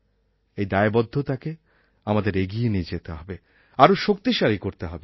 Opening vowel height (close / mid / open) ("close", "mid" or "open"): mid